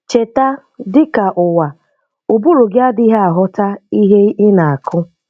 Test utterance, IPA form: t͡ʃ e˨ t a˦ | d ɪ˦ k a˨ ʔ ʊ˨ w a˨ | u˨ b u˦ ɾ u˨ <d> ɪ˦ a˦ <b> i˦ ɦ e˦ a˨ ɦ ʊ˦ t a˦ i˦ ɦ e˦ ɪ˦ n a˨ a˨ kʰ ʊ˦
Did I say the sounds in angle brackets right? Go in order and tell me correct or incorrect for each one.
incorrect: ɡ, incorrect: d

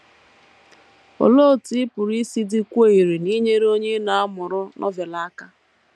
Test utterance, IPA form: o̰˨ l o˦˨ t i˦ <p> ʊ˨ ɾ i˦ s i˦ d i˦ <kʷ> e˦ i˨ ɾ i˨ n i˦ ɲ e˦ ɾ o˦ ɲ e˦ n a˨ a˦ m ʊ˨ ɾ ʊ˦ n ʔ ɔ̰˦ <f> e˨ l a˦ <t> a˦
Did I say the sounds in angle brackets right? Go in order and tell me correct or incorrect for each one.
correct, correct, incorrect: v, incorrect: k

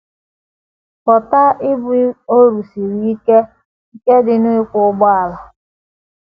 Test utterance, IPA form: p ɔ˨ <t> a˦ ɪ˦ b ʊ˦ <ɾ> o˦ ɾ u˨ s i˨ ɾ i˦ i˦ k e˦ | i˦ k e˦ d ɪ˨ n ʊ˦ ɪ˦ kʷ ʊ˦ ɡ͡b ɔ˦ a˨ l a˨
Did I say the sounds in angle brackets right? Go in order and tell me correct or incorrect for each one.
correct, incorrect: none

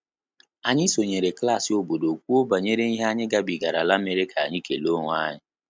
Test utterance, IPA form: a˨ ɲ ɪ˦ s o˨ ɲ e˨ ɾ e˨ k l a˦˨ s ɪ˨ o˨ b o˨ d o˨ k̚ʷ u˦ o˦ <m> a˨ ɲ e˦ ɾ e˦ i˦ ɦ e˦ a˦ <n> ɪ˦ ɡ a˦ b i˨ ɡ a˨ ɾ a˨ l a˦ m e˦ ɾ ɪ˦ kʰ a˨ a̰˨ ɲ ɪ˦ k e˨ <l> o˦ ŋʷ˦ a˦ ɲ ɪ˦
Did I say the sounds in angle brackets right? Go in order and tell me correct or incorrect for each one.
incorrect: b, incorrect: ɲ, correct

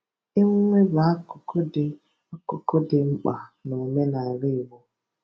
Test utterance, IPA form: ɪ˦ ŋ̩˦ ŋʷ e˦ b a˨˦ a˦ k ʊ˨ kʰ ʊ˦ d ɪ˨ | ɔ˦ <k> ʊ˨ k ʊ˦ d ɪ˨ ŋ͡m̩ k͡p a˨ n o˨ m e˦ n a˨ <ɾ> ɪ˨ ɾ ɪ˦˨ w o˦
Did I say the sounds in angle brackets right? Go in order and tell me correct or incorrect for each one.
correct, incorrect: none

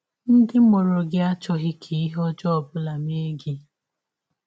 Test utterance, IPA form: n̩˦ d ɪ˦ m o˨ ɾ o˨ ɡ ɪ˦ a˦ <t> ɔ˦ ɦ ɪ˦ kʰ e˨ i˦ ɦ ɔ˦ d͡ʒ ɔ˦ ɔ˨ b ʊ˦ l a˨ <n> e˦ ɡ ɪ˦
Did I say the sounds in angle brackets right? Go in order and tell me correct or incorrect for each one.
incorrect: t͡ʃ, incorrect: m

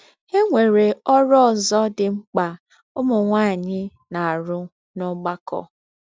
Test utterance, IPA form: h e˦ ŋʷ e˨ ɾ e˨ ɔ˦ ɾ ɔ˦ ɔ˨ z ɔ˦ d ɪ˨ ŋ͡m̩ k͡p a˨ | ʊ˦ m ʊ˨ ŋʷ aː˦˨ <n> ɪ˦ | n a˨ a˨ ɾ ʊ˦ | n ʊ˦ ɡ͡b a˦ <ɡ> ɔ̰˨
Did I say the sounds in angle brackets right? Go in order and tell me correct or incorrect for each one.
incorrect: ɲ, incorrect: k

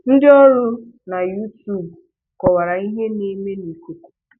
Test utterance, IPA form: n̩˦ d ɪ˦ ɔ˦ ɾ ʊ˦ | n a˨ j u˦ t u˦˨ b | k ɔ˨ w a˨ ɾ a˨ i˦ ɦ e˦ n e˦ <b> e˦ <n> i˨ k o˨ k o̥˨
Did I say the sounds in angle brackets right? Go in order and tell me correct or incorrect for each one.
incorrect: m, correct

